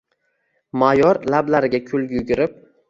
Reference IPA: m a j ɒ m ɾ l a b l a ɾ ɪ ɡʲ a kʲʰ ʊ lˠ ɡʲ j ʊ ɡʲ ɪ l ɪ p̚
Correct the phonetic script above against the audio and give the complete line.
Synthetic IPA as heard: m a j ɒ ɾ l a b l a ɾ ɪ ɡʲ a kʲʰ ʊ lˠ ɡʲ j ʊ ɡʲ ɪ ɾ ɪ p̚